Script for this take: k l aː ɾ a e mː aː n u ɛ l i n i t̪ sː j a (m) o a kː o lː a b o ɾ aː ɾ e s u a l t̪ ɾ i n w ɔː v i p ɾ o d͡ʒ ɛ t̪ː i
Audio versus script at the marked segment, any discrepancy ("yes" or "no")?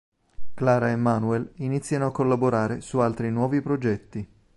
yes